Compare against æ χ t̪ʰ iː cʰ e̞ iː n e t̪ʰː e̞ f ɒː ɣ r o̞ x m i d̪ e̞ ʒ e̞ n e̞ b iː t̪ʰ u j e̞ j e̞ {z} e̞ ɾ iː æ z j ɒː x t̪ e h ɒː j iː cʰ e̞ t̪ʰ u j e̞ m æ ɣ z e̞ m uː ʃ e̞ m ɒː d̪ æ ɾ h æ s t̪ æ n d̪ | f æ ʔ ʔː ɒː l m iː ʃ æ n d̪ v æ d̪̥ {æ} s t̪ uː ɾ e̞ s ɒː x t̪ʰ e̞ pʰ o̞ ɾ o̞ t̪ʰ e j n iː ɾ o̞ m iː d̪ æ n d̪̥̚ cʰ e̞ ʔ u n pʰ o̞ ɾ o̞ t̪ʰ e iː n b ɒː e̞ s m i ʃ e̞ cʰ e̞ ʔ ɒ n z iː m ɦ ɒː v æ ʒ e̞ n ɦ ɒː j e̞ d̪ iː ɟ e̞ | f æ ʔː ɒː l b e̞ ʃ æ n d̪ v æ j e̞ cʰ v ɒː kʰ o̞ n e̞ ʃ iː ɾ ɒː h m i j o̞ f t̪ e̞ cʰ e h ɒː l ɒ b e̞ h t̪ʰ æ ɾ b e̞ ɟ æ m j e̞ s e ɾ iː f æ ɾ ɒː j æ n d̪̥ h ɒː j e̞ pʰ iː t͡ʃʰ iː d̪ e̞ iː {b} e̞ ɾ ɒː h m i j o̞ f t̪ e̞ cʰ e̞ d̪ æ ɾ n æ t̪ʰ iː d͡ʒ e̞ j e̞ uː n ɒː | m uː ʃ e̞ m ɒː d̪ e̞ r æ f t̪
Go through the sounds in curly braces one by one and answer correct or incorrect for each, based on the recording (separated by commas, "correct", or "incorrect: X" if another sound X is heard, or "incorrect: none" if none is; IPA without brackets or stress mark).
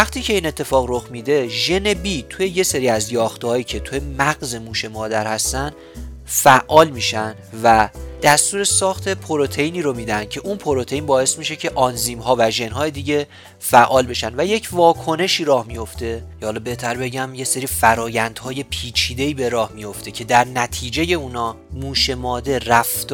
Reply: incorrect: s, correct, correct